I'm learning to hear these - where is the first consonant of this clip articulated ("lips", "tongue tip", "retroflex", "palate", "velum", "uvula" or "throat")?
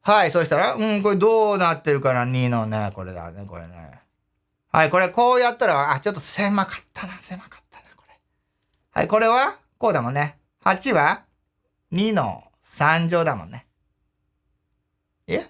throat